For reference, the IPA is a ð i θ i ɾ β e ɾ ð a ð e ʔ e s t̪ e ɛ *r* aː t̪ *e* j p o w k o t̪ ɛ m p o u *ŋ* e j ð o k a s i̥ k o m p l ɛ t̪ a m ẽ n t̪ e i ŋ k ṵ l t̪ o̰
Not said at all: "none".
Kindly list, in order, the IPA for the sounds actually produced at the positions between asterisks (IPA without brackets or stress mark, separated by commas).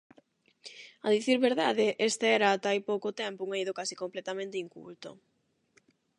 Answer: ɾ, a, ŋ